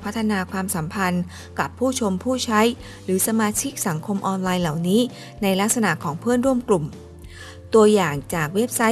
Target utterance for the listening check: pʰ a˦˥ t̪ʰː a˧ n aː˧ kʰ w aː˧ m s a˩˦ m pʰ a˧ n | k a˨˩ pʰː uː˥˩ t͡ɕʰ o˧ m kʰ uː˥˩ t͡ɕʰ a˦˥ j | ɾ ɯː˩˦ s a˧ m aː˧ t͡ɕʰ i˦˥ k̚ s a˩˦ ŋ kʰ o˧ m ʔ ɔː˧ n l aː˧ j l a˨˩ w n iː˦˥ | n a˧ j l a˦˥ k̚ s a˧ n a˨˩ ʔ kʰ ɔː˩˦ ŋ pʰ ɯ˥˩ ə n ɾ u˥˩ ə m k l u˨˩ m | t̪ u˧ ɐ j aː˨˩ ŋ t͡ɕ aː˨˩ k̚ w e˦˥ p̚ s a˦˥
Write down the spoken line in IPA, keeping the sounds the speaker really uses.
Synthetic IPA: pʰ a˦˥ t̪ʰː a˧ n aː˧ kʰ w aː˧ m s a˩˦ m pʰ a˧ n | k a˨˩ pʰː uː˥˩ t͡ɕʰ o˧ m pʰ uː˥˩ t͡ɕʰ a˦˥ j | ɾ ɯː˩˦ s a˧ m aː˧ t͡ɕʰ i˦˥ k̚ s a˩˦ ŋ kʰ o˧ m ʔ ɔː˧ n l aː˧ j l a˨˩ w n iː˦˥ | n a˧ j l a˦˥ k̚ s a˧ n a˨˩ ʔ kʰ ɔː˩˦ ŋ pʰ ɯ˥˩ ə n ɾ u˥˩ ə m k l u˨˩ m | t̪ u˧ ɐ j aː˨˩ ŋ t͡ɕ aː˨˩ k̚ w e˦˥ p̚ s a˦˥